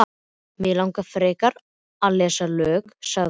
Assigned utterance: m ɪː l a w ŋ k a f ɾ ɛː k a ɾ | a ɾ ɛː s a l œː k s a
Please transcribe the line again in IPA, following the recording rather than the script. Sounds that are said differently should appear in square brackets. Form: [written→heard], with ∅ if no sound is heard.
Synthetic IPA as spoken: m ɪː l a w ŋ k a f ɾ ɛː k a ɾ | a [ɾ→l] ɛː s a l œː k s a